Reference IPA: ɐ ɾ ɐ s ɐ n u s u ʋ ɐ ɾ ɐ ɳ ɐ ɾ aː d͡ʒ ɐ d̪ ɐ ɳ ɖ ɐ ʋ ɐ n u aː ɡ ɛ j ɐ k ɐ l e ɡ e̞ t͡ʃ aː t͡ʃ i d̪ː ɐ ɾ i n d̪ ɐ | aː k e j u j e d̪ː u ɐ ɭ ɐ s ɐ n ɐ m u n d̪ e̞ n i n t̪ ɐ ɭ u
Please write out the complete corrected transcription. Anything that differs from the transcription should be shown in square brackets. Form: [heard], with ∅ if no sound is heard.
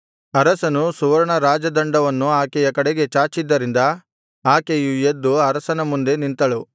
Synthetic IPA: ɐ ɾ ɐ s ɐ n u s u ʋ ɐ ɾ ɐ ɳ ɐ ɾ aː d͡ʒ ɐ d̪ ɐ ɳ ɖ ɐ ʋ ɐ [nː] u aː [k] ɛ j ɐ k ɐ [ɽ] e ɡ e̞ t͡ʃ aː t͡ʃ i d̪ː ɐ ɾ i n d̪ ɐ | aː k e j u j e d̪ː u ɐ [ɾ] ɐ s ɐ n ɐ m u n d̪ e̞ n i n t̪ ɐ ɭ u

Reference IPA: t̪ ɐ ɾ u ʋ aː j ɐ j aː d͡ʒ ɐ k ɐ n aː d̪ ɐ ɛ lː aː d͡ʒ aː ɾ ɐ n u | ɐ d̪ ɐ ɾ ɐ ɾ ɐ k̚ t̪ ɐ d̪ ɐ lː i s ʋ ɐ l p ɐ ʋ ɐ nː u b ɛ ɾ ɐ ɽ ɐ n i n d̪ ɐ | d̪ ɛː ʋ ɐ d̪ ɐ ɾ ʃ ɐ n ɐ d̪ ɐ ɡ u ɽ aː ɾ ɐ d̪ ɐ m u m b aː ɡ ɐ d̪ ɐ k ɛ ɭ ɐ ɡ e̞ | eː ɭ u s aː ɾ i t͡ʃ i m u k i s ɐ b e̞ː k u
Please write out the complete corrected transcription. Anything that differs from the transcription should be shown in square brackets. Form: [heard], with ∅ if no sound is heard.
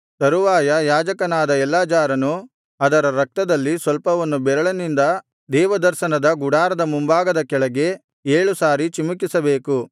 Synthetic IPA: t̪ ɐ ɾ u ʋ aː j ɐ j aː d͡ʒ ɐ k ɐ n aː d̪ ɐ ɛ lː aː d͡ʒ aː ɾ ɐ n u | ɐ d̪ ɐ ɾ ɐ ɾ ɐ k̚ t̪ ɐ d̪ ɐ lː i s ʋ ɐ l p ɐ ʋ ɐ nː u b ɛ ɾ ɐ [ɭ] ɐ n i n d̪ ɐ | d̪ ɛː ʋ ɐ d̪ ɐ ɾ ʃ ɐ n ɐ d̪ ɐ ɡ u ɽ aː ɾ ɐ d̪ ɐ m u m b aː ɡ ɐ d̪ ɐ k ɛ ɭ ɐ ɡ e̞ | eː ɭ u s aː ɾ i t͡ʃ i m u k i s ɐ b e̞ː k u

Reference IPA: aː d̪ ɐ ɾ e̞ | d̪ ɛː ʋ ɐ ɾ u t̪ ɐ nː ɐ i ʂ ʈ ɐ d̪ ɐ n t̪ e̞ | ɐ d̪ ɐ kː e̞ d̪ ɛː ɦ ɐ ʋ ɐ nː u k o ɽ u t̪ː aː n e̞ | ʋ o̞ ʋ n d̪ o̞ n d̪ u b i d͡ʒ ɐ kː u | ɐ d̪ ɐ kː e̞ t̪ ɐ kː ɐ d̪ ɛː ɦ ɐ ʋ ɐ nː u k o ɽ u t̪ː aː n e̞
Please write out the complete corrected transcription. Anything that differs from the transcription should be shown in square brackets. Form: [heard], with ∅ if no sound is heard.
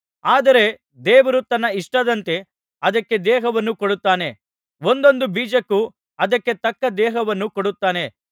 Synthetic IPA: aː d̪ ɐ ɾ e̞ | d̪ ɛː ʋ ɐ ɾ u t̪ ɐ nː ɐ i ʂ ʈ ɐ d̪ ɐ n t̪ e̞ | ɐ d̪ ɐ kː e̞ d̪ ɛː ɦ ɐ ʋ ɐ nː u k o ɽ u t̪ː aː n e̞ | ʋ o̞ [∅] n d̪ o̞ n d̪ u b [iː] d͡ʒ ɐ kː u | ɐ d̪ ɐ kː e̞ t̪ ɐ kː ɐ d̪ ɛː ɦ ɐ ʋ ɐ nː u k o ɽ u t̪ː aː n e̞

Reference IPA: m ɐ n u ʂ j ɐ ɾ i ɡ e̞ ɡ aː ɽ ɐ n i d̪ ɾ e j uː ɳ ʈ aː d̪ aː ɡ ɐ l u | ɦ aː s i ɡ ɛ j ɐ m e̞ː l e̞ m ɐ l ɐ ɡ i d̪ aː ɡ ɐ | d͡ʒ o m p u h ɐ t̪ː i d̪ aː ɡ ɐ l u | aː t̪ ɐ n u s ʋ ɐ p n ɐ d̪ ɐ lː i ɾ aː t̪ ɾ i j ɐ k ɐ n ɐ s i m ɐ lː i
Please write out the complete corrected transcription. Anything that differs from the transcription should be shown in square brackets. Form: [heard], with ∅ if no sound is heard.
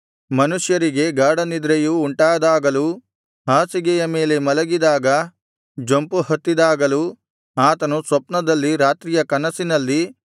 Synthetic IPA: m ɐ n u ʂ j ɐ ɾ i ɡ e̞ ɡ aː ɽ ɐ n i d̪ ɾ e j uː ɳ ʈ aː d̪ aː ɡ ɐ l u | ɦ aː s i ɡ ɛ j ɐ m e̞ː l e̞ m ɐ l ɐ ɡ i d̪ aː ɡ ɐ | d͡ʒ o m p u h ɐ t̪ː i d̪ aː ɡ ɐ l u | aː t̪ ɐ n u s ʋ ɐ p n ɐ d̪ ɐ lː i ɾ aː t̪ ɾ i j ɐ k ɐ n ɐ s i [n] ɐ lː i

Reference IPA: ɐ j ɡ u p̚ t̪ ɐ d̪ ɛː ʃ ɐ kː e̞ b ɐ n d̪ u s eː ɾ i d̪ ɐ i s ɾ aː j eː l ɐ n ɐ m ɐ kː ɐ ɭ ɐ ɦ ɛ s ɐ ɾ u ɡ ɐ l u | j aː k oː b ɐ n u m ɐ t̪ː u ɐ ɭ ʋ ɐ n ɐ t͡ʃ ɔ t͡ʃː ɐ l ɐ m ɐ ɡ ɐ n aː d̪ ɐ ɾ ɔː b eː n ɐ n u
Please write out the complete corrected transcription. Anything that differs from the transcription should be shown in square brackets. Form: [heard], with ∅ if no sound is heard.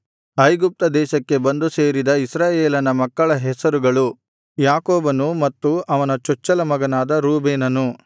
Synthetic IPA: ɐ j ɡ u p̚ t̪ ɐ d̪ ɛː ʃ ɐ kː e̞ b ɐ n d̪ u s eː ɾ i d̪ ɐ i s ɾ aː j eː l ɐ n ɐ m ɐ kː ɐ ɭ ɐ ɦ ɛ s ɐ ɾ u ɡ ɐ [ɭ] u | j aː k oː b ɐ n u m ɐ t̪ː u ɐ [∅] ʋ ɐ n ɐ t͡ʃ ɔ t͡ʃː ɐ l ɐ m ɐ ɡ ɐ n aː d̪ ɐ ɾ [uː] b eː n ɐ n u

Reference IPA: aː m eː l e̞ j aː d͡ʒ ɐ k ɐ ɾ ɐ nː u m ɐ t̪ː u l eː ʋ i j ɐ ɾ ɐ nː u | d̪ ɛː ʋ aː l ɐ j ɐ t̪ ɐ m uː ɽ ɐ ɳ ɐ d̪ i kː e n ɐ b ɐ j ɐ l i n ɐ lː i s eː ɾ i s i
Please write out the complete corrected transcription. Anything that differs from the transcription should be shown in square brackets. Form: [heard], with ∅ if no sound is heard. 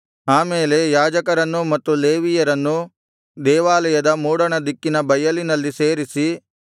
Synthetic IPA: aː m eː l e̞ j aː d͡ʒ ɐ k ɐ ɾ ɐ nː u m ɐ t̪ː u l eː ʋ i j ɐ ɾ ɐ nː u | d̪ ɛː ʋ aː l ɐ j ɐ [d̪] ɐ m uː ɽ ɐ ɳ ɐ d̪ i kː [i] n ɐ b ɐ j ɐ l i n ɐ lː i s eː ɾ i s i

